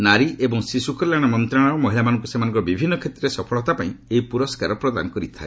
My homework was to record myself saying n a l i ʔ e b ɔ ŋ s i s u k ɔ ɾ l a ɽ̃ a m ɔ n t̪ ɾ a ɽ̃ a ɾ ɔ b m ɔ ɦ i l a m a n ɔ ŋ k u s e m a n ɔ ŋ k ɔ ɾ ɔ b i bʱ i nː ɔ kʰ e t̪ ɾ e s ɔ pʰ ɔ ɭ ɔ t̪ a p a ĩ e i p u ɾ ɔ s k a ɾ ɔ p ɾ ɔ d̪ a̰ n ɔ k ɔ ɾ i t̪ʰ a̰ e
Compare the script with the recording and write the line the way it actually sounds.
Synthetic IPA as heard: n a ɾ i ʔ e b ɔ ŋ s i s u k ɔ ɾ l a ɽ̃ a m ɔ n t̪ ɾ a ɽ̃ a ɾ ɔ m ɔ ɦ i l a m a n ɔ ŋ k u s e m a n ɔ ŋ k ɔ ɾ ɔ b i bʱ i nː ɔ kʰ e t̪ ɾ e s ɔ pʰ ɔ ɭ ɔ t̪ a p a ĩ e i p u ɾ ɔ s k a ɾ ɔ p ɾ ɔ d̪ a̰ n ɔ k ɔ ɾ i t̪ʰ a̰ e